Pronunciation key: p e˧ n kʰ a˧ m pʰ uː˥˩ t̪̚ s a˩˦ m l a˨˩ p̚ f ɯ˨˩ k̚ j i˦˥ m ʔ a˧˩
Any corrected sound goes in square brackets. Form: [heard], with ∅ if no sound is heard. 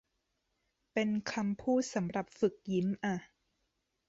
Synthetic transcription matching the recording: p e˧ n kʰ a˧ m pʰ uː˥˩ t̪̚ s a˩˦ m [ɾ] a˨˩ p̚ f ɯ˨˩ k̚ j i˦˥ m ʔ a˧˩